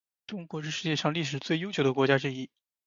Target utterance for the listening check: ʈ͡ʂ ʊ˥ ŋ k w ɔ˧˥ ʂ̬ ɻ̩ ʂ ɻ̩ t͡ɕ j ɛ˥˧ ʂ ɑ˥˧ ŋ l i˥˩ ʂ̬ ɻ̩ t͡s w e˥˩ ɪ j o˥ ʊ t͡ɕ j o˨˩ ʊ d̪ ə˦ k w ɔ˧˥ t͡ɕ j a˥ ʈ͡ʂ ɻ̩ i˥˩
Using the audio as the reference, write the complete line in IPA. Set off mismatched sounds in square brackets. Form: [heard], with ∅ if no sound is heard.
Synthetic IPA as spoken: ʈ͡ʂ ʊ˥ ŋ k w ɔ˧˥ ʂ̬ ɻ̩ ʂ ɻ̩ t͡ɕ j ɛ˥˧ ʂ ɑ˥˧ ŋ l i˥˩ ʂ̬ ɻ̩ t͡s w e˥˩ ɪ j o˥ ʊ t͡ɕ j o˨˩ ʊ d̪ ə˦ k w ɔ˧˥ t͡ɕ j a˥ ʈ͡ʂ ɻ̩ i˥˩